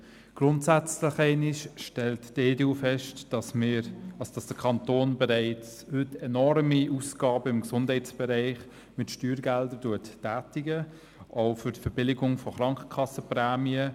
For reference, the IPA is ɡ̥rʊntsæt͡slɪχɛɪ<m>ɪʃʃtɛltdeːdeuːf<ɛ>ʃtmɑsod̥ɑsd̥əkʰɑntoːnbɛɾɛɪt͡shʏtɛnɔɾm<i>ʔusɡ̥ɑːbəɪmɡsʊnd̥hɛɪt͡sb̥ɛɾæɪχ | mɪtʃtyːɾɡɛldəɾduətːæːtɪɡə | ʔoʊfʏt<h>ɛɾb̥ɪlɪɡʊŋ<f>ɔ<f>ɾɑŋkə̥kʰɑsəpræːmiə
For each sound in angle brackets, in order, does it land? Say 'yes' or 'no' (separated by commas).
no, yes, yes, no, yes, no